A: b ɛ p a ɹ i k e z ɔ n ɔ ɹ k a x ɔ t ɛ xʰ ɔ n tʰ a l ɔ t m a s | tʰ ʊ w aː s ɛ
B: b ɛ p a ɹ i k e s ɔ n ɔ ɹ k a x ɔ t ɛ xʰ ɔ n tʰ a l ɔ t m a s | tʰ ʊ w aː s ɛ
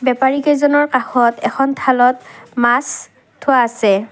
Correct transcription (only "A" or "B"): A